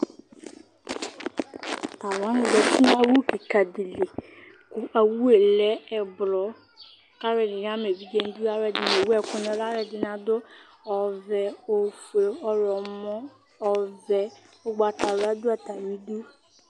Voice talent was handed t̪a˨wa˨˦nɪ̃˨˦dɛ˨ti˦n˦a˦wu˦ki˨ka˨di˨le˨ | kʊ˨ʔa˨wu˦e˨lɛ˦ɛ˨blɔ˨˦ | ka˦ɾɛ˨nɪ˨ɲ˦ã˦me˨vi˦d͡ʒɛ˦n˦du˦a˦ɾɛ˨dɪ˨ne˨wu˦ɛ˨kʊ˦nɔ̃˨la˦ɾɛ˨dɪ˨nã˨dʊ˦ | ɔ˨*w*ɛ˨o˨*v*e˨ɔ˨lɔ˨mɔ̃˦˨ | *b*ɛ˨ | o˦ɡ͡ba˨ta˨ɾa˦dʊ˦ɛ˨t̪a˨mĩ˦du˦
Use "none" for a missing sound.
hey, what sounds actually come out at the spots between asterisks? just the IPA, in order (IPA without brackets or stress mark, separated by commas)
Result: v, f, v